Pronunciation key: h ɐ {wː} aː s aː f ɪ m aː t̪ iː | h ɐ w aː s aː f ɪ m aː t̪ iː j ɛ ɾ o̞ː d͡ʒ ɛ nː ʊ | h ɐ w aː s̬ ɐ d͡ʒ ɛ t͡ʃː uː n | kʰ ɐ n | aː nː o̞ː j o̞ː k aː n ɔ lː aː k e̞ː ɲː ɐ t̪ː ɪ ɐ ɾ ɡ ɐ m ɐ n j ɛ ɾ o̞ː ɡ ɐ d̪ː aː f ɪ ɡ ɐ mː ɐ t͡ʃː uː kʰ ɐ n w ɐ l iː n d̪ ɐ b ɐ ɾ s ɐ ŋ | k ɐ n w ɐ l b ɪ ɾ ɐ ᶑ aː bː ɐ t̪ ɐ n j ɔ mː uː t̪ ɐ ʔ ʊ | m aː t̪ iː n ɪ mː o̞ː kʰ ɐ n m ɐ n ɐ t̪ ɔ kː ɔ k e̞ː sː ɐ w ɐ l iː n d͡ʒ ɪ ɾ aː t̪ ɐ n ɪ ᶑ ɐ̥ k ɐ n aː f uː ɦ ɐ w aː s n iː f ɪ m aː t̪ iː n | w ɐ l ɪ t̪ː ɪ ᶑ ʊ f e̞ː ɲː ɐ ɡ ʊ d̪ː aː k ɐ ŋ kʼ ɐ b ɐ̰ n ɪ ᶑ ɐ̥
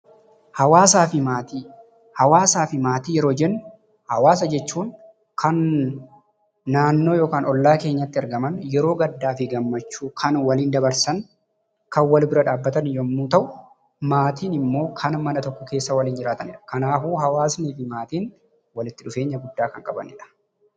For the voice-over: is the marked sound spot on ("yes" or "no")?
no